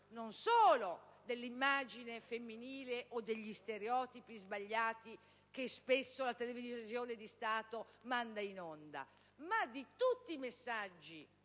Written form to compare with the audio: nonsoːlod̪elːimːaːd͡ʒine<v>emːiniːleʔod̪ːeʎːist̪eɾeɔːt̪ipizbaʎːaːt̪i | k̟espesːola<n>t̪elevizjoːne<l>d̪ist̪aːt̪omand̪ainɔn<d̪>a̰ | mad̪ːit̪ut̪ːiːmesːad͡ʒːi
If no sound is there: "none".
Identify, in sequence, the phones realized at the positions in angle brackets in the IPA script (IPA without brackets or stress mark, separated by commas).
f, none, none, d̪